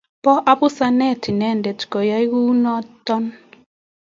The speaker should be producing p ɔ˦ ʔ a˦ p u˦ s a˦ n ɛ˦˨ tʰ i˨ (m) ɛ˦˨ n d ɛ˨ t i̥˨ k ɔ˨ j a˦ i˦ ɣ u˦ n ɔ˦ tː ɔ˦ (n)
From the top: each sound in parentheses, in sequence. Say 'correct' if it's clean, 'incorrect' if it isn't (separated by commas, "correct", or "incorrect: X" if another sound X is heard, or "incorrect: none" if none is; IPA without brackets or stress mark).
incorrect: n, correct